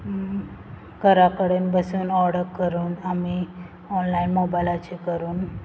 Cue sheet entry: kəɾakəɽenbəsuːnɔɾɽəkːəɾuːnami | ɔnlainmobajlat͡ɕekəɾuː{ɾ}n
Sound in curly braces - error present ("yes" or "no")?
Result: yes